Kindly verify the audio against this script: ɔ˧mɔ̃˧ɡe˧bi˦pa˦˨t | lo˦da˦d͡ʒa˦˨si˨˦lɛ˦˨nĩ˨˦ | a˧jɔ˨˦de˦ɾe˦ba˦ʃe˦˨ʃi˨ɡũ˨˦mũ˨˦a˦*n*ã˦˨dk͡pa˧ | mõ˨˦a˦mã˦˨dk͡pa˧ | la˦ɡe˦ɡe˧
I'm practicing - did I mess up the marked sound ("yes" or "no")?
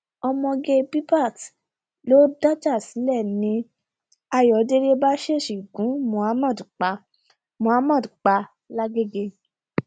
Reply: yes